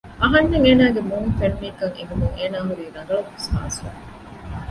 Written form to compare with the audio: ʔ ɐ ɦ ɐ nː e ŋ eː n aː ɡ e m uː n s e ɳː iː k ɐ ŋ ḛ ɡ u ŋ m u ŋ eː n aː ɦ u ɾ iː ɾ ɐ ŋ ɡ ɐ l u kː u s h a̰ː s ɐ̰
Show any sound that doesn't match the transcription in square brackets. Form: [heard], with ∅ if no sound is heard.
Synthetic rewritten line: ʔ ɐ ɦ ɐ nː e ŋ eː n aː ɡ e m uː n [f] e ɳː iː k ɐ ŋ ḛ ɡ u [∅] m u ŋ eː n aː ɦ u ɾ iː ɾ ɐ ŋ ɡ ɐ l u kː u s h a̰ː s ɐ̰